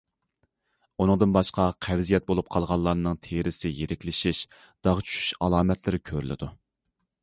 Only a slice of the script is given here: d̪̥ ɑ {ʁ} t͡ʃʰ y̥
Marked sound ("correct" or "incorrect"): correct